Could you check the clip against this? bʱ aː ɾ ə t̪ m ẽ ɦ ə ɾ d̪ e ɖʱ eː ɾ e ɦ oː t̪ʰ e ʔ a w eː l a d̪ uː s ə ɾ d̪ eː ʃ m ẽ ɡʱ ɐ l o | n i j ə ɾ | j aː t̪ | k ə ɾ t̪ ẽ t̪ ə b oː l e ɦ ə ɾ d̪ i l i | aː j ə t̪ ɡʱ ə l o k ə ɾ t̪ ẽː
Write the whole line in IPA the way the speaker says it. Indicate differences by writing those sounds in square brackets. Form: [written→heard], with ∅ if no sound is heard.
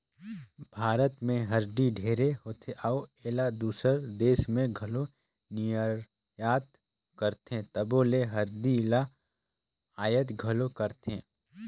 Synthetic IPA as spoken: bʱ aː ɾ ə t̪ m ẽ ɦ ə ɾ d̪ [e→i] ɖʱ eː ɾ e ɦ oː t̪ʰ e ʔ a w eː l a d̪ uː s ə ɾ d̪ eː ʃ m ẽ ɡʱ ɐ l o | n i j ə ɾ | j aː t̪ | k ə ɾ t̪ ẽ t̪ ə b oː l e ɦ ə ɾ d̪ i l [i→a] | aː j ə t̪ ɡʱ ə l o k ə ɾ t̪ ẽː